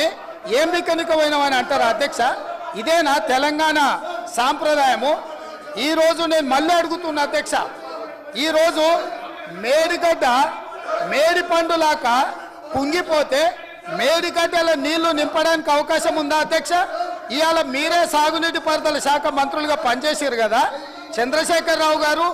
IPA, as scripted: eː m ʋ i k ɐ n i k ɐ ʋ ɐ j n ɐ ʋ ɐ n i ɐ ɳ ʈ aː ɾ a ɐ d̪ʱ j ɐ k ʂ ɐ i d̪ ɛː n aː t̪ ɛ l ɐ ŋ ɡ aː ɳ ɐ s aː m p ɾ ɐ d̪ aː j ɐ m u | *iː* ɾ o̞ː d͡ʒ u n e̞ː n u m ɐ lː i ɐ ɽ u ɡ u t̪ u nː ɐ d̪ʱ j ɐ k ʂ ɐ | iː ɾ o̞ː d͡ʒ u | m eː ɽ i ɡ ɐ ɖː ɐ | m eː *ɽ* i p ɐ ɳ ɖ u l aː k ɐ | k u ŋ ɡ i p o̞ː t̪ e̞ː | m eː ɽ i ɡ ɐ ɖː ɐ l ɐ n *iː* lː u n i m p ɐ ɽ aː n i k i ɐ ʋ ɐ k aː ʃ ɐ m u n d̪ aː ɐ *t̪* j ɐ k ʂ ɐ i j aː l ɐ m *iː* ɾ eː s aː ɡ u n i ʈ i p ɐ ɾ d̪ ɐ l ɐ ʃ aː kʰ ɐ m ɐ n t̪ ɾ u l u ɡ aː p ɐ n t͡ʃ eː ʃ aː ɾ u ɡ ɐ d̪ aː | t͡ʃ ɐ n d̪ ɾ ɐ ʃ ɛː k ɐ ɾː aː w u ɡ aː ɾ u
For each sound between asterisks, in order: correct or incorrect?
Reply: correct, correct, correct, incorrect, correct

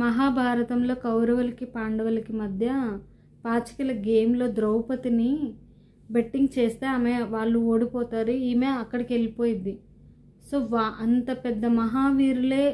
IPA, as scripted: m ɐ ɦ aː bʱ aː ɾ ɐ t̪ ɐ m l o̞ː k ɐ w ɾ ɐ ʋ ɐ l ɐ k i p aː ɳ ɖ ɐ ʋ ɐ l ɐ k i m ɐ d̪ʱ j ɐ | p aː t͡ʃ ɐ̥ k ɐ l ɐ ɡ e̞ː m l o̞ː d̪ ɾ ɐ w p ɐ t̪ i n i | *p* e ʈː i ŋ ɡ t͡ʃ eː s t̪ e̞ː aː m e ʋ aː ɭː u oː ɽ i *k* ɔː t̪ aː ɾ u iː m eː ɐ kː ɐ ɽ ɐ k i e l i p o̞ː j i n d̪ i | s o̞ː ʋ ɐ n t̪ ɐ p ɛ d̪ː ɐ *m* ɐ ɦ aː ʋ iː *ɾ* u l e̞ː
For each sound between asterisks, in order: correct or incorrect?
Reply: incorrect, incorrect, correct, correct

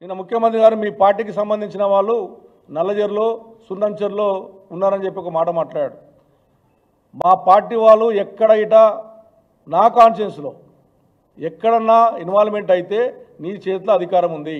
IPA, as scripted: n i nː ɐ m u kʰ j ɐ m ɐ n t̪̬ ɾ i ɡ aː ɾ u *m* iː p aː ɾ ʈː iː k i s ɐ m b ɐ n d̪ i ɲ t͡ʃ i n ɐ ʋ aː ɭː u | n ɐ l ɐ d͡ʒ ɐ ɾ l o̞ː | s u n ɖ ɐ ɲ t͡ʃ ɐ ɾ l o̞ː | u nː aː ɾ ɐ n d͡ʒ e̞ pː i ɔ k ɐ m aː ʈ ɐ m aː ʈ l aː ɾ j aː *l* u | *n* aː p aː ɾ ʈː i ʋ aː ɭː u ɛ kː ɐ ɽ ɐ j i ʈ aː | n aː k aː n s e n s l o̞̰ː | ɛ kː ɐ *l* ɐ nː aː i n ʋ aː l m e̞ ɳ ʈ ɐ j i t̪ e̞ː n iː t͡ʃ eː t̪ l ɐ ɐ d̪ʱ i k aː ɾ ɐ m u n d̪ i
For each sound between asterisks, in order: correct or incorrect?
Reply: correct, incorrect, incorrect, incorrect

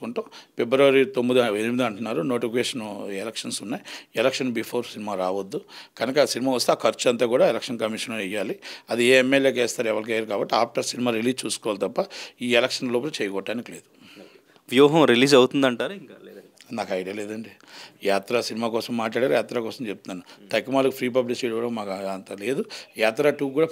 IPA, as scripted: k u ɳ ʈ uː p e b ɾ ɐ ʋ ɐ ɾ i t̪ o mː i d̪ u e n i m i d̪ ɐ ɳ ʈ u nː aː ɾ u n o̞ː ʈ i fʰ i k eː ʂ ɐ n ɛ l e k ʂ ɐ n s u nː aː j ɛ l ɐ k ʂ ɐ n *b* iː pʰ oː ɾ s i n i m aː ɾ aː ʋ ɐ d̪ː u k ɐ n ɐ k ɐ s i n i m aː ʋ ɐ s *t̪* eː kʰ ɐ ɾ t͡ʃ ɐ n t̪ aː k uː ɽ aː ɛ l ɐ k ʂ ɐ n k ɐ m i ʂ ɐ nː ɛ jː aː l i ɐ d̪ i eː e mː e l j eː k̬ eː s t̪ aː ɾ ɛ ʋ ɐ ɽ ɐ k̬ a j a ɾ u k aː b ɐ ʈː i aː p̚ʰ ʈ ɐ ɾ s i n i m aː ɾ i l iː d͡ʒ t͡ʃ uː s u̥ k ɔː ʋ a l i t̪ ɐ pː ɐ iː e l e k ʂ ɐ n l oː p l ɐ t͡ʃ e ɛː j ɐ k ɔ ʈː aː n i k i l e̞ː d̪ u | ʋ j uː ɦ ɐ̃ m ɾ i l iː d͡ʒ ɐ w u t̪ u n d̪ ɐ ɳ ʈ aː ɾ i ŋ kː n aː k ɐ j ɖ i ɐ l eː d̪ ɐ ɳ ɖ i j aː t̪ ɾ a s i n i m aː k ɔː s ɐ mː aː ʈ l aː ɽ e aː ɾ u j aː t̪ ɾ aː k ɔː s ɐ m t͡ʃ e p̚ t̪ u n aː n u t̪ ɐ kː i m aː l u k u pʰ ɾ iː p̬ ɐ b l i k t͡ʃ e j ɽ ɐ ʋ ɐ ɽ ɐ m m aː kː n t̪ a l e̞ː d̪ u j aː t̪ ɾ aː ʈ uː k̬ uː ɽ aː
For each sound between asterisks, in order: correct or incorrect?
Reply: correct, correct

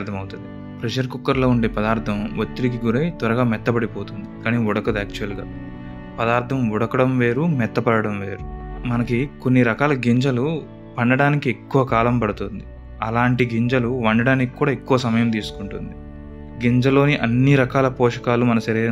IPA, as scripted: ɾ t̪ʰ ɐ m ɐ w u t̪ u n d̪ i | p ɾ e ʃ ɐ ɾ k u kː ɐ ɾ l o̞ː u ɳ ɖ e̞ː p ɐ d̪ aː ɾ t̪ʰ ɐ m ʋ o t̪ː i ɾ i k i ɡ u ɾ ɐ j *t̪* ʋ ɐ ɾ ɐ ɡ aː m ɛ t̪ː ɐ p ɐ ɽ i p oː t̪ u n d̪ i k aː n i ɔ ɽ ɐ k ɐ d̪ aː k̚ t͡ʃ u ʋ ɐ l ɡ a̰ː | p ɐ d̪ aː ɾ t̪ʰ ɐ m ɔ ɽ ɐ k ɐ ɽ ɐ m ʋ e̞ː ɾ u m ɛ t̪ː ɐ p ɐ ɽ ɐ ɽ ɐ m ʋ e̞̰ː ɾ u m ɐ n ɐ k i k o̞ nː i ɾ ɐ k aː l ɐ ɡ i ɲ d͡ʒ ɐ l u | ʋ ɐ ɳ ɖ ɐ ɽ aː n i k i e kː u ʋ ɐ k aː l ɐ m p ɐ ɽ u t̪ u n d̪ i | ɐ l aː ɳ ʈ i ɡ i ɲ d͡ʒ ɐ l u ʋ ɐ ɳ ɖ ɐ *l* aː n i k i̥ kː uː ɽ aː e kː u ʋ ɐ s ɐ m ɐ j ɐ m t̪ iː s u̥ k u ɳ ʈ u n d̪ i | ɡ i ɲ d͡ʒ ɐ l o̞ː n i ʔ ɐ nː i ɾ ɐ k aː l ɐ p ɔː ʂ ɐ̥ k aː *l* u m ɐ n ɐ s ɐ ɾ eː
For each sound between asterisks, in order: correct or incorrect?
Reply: correct, incorrect, correct

